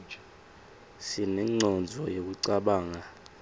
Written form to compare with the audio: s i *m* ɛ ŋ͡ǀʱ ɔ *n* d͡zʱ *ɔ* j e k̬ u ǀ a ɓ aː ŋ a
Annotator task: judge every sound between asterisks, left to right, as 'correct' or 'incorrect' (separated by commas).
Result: incorrect, correct, correct